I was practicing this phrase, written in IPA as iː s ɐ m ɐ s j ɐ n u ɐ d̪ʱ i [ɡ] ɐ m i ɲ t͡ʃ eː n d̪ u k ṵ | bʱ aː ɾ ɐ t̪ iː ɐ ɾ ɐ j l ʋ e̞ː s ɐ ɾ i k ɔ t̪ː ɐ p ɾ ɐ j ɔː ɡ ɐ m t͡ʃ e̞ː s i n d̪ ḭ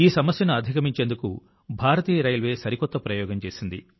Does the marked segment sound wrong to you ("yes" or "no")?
yes